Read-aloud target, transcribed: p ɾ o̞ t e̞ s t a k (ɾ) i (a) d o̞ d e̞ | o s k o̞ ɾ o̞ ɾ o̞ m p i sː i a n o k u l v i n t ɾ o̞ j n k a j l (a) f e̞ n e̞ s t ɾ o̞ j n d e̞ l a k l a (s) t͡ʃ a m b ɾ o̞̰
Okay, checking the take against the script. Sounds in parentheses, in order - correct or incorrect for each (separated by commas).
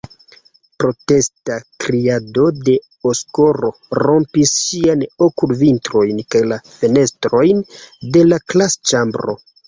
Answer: correct, correct, correct, correct